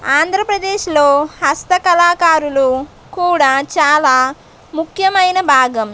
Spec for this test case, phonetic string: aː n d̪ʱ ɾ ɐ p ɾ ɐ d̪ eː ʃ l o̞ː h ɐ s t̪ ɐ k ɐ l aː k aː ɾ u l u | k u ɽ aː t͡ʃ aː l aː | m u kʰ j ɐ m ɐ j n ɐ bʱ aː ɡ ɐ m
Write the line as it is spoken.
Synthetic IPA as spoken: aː n d̪ʱ ɾ ɐ p ɾ ɐ d̪ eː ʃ l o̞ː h ɐ s t̪ ɐ k ɐ l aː k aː ɾ u l u | k uː ɽ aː t͡ʃ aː l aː | m u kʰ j ɐ m ɐ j n ɐ bʱ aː ɡ ɐ m